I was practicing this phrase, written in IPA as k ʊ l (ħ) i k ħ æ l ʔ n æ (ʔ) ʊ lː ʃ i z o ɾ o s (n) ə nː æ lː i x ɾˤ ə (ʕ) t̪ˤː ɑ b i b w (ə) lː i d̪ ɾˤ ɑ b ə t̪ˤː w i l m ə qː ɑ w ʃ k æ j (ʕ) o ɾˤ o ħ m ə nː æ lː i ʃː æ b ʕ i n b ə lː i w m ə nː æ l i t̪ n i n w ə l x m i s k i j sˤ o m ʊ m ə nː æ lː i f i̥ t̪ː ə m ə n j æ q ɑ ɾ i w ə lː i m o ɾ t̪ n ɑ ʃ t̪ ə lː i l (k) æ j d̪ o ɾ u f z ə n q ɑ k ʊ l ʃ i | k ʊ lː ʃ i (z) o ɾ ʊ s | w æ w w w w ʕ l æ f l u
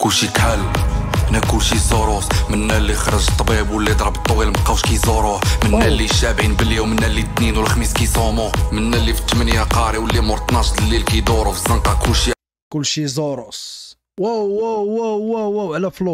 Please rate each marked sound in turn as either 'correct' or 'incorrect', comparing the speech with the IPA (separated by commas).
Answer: incorrect, incorrect, incorrect, incorrect, correct, incorrect, correct, correct